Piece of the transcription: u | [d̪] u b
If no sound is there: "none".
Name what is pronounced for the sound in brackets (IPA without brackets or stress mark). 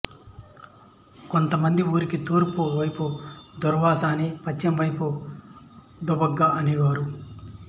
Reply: d̪